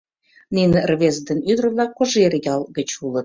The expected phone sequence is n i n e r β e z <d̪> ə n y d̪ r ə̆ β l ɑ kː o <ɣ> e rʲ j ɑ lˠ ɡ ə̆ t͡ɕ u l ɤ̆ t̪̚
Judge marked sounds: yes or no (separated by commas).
yes, no